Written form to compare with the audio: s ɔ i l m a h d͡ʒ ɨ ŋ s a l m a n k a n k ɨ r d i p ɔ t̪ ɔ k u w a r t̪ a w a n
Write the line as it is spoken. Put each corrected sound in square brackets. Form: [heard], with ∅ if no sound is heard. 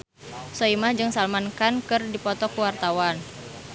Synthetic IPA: s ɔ i [∅] m a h d͡ʒ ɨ ŋ s a l m a n k a n k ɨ r d i p ɔ t̪ ɔ k u w a r t̪ a w a n